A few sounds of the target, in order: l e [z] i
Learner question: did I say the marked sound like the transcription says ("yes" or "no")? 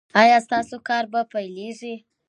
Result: no